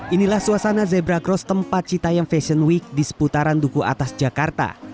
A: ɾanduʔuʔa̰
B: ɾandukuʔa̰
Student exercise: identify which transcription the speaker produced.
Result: B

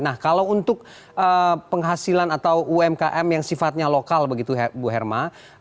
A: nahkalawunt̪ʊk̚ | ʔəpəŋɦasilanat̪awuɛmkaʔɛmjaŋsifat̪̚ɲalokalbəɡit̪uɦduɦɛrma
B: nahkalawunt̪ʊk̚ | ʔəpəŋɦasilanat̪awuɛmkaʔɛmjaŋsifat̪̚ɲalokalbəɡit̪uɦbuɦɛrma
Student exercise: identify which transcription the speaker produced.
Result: B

